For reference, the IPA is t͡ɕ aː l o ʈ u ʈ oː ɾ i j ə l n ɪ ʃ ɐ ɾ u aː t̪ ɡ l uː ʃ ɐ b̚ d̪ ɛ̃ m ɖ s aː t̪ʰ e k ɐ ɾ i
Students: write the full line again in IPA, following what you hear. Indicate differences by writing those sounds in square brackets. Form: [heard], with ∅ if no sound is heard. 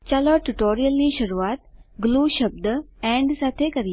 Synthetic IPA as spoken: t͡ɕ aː l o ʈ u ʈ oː ɾ i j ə l n [i] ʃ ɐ ɾ u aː t̪ ɡ l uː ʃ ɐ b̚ d̪ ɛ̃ [ɳ] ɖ s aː t̪ʰ e k ɐ ɾ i